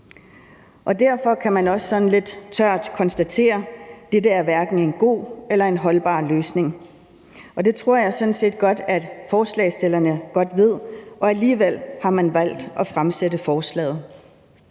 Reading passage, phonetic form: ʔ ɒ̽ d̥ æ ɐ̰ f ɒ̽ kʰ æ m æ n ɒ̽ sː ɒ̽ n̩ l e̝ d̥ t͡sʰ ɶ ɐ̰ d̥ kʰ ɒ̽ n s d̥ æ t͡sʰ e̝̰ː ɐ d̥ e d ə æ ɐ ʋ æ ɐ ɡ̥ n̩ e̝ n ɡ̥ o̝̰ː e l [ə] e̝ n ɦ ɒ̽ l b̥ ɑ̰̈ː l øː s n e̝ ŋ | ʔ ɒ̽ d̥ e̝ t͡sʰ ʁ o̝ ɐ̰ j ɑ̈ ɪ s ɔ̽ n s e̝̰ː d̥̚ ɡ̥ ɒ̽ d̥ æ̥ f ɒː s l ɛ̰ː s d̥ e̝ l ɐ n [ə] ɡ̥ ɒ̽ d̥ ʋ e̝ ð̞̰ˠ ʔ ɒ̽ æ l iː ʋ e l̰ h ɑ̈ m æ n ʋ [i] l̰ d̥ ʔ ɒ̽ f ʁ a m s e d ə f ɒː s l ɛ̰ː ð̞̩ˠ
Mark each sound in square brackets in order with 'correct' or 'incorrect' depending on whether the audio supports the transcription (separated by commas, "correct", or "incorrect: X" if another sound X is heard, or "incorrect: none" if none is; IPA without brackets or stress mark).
incorrect: ɐ, correct, incorrect: æ